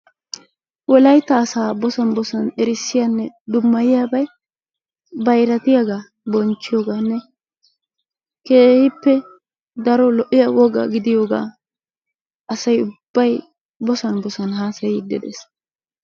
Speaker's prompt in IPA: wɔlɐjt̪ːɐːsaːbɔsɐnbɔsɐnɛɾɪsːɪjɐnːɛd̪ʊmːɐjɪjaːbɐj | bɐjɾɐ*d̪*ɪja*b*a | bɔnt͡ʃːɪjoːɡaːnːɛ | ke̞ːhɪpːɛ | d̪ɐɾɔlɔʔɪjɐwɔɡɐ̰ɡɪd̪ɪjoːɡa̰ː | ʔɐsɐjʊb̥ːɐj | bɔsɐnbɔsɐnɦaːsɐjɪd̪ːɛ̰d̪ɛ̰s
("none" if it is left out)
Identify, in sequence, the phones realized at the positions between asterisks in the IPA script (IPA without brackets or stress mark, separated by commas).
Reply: t̪, ɡ